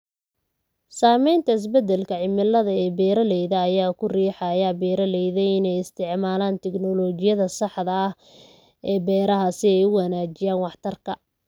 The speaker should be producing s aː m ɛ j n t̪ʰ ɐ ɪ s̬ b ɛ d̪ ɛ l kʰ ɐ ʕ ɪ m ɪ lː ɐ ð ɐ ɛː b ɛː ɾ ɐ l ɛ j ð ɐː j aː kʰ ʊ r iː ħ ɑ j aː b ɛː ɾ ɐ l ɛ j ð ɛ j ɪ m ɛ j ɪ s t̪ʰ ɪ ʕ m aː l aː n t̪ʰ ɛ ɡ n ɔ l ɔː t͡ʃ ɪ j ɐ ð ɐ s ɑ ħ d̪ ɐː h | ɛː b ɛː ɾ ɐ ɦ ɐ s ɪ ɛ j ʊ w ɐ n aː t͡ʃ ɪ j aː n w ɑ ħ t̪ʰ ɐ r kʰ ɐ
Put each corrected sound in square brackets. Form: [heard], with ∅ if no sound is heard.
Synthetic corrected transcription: s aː m ɛ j n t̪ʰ ɐ ɪ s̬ b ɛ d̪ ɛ l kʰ ɐ ʕ ɪ m ɪ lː ɐ ð ɐ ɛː b ɛː ɾ ɐ l ɛ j ð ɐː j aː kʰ ʊ r iː ħ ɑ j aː b ɛː ɾ ɐ l ɛ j ð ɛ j ɪ [n] ɛ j ɪ s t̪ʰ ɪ ʕ m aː l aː n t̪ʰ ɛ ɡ n ɔ l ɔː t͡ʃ ɪ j ɐ ð ɐ s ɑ ħ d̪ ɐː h | ɛː b ɛː ɾ ɐ ɦ ɐ s ɪ ɛ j ʊ w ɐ n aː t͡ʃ ɪ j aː n w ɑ ħ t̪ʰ ɐ r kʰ ɐ